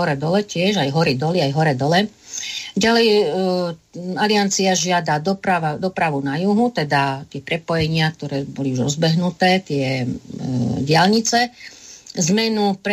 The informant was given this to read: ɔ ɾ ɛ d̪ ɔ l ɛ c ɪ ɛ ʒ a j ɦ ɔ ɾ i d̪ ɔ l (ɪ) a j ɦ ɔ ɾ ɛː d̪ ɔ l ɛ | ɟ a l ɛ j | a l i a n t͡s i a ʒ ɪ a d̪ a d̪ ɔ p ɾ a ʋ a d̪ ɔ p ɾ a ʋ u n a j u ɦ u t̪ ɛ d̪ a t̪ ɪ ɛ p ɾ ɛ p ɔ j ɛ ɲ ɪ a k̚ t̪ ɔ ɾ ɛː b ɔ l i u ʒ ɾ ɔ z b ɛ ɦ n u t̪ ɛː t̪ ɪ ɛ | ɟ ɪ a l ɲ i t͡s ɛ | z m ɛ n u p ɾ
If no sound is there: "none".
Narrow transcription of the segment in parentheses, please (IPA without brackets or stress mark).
i